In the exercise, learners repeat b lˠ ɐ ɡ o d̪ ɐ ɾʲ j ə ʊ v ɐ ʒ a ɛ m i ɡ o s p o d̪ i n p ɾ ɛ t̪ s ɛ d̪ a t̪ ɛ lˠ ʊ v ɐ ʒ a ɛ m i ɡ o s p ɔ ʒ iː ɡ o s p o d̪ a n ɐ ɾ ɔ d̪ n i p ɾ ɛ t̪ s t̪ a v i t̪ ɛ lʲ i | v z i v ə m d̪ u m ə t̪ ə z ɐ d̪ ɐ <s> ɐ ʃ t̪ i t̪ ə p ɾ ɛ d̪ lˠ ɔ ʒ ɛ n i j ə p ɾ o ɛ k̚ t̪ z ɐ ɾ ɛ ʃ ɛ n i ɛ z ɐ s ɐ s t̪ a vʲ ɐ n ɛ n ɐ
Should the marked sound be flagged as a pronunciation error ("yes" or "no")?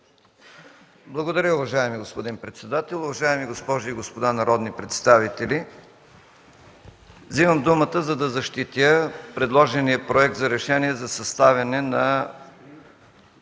yes